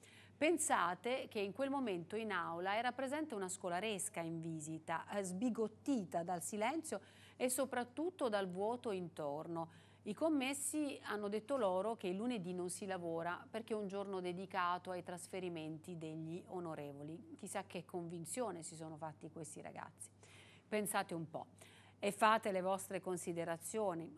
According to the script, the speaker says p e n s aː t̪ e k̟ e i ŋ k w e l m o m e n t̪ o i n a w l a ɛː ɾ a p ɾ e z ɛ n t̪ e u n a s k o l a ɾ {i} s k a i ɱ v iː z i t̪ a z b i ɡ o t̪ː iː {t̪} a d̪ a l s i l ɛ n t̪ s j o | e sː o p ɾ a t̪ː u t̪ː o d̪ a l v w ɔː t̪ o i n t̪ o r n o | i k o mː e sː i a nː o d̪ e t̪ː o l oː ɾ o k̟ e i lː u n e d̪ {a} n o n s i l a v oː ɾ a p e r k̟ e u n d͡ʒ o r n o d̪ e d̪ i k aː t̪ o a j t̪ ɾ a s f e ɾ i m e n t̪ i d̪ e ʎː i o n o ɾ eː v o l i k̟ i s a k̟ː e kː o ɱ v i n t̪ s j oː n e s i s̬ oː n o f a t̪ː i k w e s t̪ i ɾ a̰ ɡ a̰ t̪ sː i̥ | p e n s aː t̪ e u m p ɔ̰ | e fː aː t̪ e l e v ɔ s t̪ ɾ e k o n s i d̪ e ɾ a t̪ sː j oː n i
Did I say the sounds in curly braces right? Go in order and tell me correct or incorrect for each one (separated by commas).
incorrect, correct, incorrect